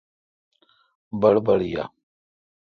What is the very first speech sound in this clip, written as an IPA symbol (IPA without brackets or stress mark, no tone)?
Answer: b